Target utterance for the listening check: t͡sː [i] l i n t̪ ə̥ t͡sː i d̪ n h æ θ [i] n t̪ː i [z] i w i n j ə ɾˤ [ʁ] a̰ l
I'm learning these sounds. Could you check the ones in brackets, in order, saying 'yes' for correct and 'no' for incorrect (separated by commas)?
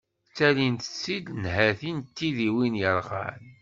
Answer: no, yes, no, yes